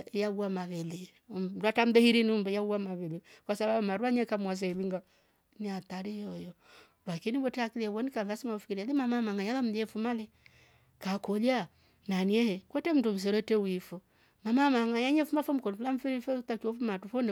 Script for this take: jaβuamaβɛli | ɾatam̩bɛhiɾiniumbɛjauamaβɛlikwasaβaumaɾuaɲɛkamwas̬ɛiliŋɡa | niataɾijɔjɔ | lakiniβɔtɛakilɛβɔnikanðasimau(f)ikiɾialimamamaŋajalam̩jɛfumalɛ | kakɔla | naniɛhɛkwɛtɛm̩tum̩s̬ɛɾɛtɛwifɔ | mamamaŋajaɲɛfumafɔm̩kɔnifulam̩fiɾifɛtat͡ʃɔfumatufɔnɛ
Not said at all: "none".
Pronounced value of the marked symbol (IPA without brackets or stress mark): f